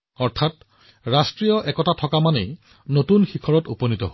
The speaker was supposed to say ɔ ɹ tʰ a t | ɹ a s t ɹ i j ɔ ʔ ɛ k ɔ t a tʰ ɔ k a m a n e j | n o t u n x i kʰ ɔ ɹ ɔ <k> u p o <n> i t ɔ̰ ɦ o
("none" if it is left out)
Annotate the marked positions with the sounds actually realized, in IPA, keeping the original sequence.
t, n

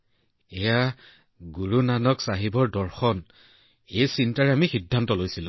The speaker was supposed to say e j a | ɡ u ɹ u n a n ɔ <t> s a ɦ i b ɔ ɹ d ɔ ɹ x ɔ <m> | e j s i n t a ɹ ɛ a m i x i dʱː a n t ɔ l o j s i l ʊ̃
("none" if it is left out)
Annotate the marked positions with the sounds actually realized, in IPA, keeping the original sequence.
k, n

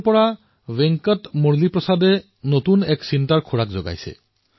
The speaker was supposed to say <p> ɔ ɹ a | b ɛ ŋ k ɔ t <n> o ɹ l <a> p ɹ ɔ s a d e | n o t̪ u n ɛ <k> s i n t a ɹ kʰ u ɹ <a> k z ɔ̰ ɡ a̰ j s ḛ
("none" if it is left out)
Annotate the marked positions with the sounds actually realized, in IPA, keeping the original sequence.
p, m, i, k, a

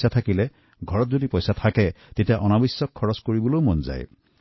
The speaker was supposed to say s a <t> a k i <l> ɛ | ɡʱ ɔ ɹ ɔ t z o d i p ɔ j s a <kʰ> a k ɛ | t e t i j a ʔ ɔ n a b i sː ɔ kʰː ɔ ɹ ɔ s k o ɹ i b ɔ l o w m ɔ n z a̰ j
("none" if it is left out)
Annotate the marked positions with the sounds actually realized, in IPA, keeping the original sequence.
tʰ, l, tʰ

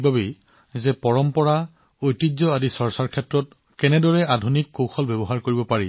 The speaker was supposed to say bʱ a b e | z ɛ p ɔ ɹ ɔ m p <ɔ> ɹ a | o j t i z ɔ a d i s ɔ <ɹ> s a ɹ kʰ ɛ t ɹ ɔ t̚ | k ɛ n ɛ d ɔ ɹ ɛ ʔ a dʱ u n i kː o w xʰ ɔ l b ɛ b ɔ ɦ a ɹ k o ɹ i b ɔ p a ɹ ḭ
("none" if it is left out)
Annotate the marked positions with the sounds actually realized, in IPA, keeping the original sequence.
ɔ, ɹ

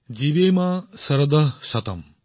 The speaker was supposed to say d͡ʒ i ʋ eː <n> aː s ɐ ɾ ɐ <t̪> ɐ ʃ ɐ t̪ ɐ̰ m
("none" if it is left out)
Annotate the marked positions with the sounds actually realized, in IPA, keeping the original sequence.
m, d̪

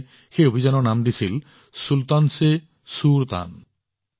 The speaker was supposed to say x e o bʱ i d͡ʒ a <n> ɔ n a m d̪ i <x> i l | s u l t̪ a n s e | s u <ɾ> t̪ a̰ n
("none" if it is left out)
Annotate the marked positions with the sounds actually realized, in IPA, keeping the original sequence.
n, s, ɾ

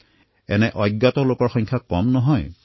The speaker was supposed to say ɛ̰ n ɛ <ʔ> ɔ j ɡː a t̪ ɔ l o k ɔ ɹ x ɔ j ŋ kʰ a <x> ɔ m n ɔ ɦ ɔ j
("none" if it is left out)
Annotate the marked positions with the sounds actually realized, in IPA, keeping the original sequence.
ʔ, k

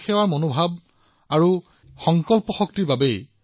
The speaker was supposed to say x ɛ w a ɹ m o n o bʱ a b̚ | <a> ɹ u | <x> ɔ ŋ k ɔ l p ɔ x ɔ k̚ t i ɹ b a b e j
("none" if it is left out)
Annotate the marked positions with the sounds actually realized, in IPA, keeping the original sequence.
a, x

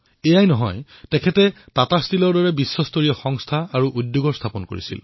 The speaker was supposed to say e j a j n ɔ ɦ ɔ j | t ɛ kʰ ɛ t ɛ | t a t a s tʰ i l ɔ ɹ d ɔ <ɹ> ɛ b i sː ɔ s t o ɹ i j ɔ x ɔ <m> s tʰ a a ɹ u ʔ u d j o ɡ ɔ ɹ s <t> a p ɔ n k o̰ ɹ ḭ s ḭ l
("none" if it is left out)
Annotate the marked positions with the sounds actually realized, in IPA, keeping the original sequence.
ɹ, ŋ, tʰ

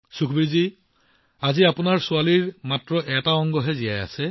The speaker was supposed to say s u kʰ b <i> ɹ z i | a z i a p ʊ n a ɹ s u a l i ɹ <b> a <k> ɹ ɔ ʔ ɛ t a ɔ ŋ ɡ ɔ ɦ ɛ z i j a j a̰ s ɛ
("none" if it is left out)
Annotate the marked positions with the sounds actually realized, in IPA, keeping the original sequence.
i, m, t

